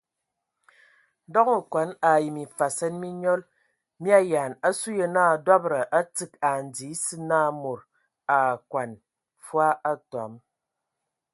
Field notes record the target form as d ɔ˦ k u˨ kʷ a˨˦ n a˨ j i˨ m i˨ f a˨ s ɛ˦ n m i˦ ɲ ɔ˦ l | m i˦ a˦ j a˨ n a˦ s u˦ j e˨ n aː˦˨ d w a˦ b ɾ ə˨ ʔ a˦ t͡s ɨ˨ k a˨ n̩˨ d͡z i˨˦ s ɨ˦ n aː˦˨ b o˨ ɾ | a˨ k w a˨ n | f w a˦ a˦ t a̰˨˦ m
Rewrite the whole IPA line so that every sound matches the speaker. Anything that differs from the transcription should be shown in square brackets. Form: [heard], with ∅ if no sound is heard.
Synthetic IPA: d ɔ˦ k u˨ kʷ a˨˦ n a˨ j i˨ m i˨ f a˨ s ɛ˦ n m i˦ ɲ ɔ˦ l | m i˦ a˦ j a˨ n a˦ s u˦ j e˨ n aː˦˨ d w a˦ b ɾ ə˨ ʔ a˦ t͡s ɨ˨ k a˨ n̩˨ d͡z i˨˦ s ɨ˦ n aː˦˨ [m] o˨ ɾ | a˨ k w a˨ n | f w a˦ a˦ t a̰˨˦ m